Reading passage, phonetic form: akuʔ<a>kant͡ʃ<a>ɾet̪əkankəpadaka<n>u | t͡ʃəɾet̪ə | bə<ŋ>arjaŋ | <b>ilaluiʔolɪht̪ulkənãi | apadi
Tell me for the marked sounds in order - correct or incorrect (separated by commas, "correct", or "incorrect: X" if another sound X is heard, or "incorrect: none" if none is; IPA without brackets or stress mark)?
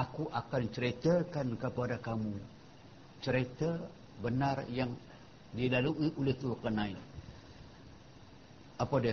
correct, incorrect: ə, incorrect: m, incorrect: n, incorrect: d